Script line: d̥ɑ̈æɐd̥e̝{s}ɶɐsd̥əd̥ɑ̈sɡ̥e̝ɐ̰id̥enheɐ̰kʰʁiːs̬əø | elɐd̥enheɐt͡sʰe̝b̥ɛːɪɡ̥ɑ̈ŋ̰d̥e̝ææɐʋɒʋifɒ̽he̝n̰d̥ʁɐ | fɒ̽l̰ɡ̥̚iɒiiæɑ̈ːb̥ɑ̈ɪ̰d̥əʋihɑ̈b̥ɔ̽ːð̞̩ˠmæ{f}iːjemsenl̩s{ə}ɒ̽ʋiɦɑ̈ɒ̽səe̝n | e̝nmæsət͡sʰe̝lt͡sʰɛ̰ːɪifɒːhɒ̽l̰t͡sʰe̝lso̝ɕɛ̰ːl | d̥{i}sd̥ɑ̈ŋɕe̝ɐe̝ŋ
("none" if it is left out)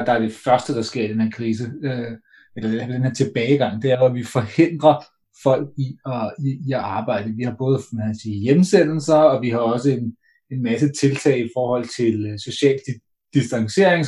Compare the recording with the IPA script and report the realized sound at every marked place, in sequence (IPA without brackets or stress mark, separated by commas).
f, s, ɐ, i